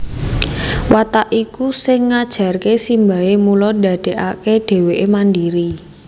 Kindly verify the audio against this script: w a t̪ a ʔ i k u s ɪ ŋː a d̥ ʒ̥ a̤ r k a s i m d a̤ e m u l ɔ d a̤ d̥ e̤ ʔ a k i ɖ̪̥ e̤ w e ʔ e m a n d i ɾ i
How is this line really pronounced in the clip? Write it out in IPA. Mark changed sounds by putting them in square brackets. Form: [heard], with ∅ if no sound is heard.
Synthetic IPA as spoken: w a t̪ a ʔ i k u s ɪ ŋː a d̥ ʒ̥ a̤ r k [e] s i m [b] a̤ e m u l ɔ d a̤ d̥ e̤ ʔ a k [e] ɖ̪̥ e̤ w e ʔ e m a n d i ɾ i